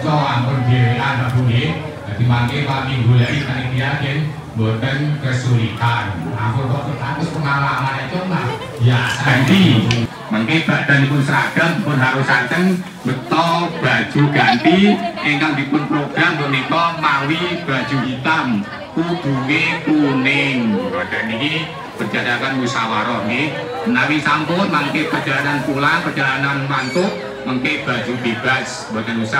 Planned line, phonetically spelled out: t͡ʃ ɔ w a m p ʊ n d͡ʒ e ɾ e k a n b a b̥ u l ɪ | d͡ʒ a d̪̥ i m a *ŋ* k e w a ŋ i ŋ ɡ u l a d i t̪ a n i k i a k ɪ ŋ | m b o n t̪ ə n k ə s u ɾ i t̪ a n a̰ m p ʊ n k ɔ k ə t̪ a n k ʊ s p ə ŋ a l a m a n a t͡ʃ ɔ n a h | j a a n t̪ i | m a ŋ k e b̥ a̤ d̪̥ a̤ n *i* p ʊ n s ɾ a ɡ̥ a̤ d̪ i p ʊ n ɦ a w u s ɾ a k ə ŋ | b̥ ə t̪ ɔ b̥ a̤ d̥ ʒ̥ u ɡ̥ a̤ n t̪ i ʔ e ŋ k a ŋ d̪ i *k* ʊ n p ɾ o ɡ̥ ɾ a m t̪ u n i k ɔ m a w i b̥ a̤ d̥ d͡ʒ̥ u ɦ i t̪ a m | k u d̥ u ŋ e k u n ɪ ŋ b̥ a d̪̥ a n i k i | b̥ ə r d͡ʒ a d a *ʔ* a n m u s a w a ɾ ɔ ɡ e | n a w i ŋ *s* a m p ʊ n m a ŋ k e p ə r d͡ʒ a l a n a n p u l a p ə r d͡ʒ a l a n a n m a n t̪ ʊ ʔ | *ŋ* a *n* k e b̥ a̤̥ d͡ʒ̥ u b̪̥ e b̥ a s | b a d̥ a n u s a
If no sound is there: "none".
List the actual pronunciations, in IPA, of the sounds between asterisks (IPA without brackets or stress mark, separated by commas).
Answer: ŋ, i, p, k, s, m, ŋ